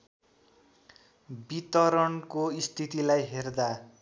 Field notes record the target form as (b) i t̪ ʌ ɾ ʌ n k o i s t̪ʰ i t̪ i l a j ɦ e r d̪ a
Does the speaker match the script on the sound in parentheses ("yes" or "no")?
yes